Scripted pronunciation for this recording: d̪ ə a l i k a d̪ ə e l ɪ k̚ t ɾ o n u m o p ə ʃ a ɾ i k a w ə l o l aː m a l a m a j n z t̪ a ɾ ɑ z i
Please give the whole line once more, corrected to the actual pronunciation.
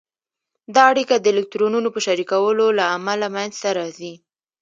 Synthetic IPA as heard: d̪ ɑ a ɽ i k a d̪ ə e l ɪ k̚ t ɾ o n u n o p ə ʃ a ɾ i k a w ə l o l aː m a l a m a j n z t̪ a ɾ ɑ z i